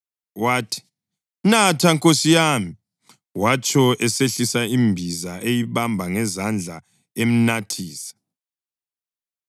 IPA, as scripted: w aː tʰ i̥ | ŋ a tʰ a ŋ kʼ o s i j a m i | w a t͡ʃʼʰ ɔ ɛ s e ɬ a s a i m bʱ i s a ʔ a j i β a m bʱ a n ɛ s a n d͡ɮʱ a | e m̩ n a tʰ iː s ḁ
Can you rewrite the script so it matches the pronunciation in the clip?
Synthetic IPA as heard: w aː tʰ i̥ | n a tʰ a ŋ kʼ o s i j a m i | w a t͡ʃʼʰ ɔ ɛ s e ɬ i s a i m bʱ i z a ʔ e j i β a m bʱ a ŋ ɛ z a n d͡ɮʱ a | e m̩ n a tʰ iː s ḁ